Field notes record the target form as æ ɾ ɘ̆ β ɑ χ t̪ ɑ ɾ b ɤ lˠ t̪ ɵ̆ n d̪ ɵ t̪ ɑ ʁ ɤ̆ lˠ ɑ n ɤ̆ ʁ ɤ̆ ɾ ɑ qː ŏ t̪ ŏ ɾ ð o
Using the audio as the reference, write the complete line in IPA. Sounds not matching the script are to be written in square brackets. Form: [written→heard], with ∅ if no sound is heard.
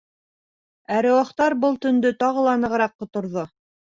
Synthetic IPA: æ ɾ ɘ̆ [β→w] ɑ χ t̪ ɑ ɾ b ɤ lˠ t̪ ɵ̆ n d̪ ɵ t̪ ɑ ʁ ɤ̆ lˠ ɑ n ɤ̆ ʁ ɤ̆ ɾ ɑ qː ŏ t̪ ŏ ɾ ð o